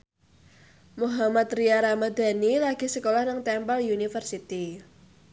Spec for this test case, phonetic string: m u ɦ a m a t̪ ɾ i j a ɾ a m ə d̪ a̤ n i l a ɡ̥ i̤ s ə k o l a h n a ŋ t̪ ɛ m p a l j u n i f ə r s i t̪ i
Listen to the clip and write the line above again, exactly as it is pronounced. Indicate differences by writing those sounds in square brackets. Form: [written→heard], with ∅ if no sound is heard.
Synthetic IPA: m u ɦ a m a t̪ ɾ i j a ɾ a m [ə→a] d̪ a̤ n i l a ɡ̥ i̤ s ə k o l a h n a ŋ t̪ ɛ m p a l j u n i f ə r s i t̪ i